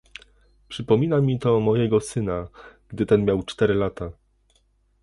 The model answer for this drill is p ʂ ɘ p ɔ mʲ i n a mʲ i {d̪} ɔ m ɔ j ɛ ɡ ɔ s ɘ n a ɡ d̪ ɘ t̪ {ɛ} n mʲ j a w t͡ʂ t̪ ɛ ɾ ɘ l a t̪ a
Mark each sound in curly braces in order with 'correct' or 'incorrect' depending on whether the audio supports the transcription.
incorrect: t̪, correct

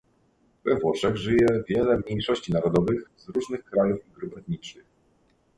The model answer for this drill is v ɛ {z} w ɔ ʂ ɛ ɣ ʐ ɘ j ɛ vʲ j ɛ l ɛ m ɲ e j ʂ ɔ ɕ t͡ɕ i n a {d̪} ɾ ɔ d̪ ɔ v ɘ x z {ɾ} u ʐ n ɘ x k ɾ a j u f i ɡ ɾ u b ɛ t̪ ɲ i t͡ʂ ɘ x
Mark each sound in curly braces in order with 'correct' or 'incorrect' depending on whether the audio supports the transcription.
incorrect: v, incorrect: none, correct

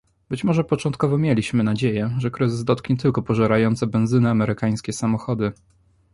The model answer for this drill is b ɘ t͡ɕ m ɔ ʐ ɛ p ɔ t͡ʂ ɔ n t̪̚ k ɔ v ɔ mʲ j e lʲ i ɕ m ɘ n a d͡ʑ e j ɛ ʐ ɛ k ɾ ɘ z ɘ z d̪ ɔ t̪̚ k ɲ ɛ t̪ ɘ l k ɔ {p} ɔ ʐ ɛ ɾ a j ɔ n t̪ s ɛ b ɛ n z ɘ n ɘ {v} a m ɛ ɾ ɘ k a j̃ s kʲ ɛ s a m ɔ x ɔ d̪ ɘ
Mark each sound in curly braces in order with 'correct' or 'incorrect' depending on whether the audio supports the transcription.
correct, incorrect: none

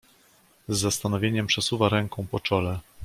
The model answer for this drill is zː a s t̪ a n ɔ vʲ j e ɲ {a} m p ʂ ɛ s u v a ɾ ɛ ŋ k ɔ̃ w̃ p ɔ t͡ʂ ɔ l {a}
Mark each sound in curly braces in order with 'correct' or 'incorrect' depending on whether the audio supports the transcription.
incorrect: ɛ, incorrect: ɛ

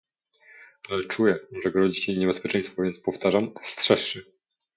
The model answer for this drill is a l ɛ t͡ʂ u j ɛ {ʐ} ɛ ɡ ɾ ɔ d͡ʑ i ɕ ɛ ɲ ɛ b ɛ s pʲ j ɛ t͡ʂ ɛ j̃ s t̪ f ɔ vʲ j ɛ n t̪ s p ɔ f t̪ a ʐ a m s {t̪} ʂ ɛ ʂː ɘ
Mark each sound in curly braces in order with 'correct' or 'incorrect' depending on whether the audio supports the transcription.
correct, correct

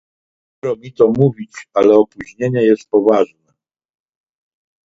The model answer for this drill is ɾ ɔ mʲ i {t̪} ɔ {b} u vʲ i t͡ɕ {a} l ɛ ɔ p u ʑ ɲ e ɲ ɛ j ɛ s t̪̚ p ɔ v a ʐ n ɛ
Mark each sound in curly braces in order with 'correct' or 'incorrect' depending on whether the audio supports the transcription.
correct, incorrect: m, correct

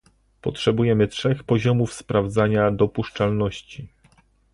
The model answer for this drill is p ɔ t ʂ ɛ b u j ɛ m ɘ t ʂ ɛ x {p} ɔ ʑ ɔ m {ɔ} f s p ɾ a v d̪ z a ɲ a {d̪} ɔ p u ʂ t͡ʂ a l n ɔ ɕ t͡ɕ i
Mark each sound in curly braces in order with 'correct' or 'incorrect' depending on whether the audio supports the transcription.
correct, incorrect: u, correct

